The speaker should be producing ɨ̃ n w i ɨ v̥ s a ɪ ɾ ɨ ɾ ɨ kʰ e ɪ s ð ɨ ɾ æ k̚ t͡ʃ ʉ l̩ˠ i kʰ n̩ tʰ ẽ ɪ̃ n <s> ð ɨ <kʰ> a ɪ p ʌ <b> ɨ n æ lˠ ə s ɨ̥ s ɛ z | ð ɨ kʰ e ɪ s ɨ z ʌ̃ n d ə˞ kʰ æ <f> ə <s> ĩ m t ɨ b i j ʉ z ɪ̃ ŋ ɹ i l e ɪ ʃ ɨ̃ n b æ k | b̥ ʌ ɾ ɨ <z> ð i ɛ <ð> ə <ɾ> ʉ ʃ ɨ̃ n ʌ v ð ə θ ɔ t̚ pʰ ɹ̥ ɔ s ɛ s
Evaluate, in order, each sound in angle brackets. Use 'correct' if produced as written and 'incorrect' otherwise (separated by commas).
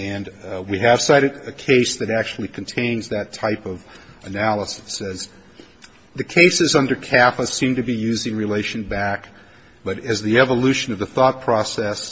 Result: incorrect, incorrect, incorrect, correct, correct, correct, incorrect, incorrect